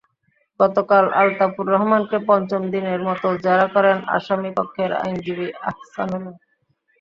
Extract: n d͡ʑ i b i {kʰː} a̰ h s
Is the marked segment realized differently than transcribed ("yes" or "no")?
yes